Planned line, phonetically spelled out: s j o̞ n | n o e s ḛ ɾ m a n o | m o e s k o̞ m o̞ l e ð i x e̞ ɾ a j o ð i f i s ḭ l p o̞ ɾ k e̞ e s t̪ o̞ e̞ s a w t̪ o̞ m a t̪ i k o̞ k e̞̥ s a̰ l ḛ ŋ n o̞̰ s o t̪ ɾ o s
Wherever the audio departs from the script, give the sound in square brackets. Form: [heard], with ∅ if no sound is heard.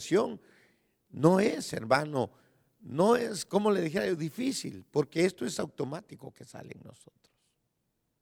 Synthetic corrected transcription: s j o̞ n | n o e s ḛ ɾ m a n o | [n] o e s k o̞ m o̞ l e ð i x e̞ ɾ a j o ð i f i s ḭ l p o̞ ɾ k e̞ e s t̪ o̞ e̞ s a w t̪ o̞ m a t̪ i k o̞ k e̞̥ s a̰ l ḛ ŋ n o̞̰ s o t̪ ɾ o s